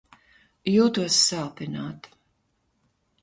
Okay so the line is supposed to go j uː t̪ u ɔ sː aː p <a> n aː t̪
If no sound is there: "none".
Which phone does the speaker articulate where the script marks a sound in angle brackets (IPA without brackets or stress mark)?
i